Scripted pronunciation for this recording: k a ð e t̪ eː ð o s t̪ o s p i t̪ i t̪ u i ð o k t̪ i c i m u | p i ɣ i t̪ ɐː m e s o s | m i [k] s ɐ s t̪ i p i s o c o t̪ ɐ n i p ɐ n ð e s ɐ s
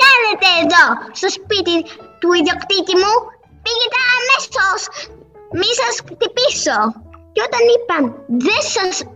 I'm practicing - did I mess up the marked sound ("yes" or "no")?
yes